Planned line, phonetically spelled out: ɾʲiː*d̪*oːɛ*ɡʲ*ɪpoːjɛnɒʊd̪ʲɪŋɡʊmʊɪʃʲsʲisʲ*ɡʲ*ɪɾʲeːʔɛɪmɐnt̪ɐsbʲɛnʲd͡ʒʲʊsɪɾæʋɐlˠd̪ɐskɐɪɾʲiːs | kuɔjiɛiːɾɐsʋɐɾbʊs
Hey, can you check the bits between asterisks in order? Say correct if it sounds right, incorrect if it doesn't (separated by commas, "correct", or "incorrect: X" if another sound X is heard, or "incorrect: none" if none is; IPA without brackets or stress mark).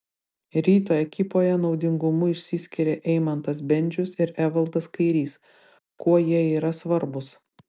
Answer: incorrect: t̪, incorrect: kʲ, incorrect: kʲ